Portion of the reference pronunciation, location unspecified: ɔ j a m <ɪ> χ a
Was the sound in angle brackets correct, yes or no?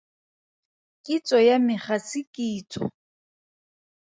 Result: yes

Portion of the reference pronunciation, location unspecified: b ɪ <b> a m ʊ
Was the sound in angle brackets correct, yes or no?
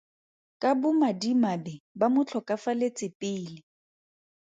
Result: yes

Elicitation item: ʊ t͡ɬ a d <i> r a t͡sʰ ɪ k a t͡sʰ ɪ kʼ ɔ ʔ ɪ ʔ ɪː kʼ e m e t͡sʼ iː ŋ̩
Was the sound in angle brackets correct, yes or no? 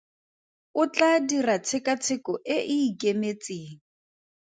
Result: yes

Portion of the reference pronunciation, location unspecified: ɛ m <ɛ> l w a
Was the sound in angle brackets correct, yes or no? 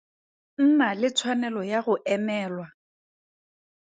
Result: no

